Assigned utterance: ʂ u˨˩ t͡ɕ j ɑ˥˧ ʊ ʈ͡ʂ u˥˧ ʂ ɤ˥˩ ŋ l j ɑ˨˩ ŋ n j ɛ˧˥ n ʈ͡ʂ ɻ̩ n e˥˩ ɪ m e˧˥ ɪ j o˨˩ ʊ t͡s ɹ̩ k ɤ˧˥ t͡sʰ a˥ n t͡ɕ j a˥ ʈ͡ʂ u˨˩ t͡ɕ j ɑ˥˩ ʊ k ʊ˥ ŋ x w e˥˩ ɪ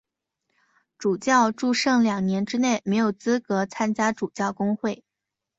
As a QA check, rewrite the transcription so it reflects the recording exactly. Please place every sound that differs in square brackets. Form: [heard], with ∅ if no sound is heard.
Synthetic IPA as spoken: [ʈ͡ʂ] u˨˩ t͡ɕ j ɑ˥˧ ʊ ʈ͡ʂ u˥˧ ʂ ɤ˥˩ ŋ l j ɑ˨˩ ŋ n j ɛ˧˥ n ʈ͡ʂ ɻ̩ n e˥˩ ɪ m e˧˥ ɪ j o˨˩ ʊ t͡s ɹ̩ k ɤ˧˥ t͡sʰ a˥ n t͡ɕ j a˥ ʈ͡ʂ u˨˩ t͡ɕ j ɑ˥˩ ʊ k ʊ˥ ŋ x w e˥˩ ɪ